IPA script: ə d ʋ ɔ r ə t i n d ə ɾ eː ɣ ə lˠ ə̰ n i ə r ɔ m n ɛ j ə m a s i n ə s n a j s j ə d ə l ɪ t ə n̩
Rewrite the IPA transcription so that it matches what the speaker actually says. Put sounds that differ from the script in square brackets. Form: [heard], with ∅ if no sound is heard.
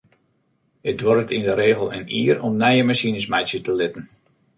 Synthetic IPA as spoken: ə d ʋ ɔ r ə t i n d ə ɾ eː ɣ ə lˠ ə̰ n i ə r ɔ m n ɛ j ə m a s i n ə s [m] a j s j ə [t] ə l ɪ t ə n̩